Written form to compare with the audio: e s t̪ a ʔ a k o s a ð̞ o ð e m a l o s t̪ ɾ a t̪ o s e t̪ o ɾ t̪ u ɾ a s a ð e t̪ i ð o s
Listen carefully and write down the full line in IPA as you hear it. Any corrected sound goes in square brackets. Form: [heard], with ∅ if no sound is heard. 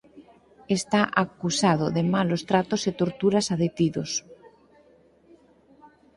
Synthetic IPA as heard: e s t̪ a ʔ a k [u] s a ð̞ o ð e m a l o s t̪ ɾ a t̪ o s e t̪ o ɾ t̪ u ɾ a s a ð e t̪ i ð o s